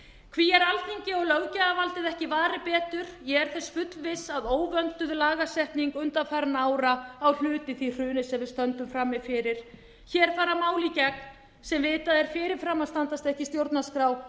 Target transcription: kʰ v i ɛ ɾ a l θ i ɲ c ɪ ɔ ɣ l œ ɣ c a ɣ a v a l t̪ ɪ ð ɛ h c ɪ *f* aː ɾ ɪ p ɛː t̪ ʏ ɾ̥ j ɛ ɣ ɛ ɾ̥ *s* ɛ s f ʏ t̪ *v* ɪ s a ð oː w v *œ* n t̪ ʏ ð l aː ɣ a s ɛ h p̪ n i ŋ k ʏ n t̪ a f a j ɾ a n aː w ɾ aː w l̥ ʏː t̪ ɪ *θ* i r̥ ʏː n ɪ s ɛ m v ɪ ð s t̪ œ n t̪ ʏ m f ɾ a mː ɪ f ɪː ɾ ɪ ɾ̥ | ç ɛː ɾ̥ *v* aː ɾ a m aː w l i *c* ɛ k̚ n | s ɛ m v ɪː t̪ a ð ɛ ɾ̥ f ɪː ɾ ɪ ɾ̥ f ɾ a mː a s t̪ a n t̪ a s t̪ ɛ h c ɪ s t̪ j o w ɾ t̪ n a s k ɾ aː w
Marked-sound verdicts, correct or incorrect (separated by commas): incorrect, incorrect, correct, correct, correct, incorrect, correct